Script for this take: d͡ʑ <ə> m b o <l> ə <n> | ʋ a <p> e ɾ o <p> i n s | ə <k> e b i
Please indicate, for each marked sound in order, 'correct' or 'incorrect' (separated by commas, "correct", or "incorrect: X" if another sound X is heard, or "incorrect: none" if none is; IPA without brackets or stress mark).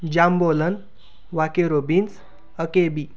incorrect: a, correct, correct, incorrect: k, incorrect: b, correct